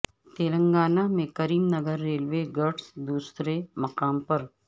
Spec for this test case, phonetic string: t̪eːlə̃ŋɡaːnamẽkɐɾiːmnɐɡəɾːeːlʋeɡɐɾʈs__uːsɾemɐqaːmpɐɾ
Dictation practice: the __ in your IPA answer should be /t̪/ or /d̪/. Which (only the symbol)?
d̪